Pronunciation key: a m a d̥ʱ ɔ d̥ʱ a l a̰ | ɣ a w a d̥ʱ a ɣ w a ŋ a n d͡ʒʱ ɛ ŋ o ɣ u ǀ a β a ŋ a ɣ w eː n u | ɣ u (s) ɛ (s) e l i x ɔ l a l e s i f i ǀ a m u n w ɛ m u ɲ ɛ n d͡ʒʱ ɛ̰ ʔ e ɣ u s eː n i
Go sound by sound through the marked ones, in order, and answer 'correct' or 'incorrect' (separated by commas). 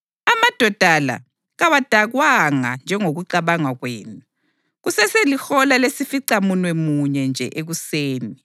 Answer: correct, correct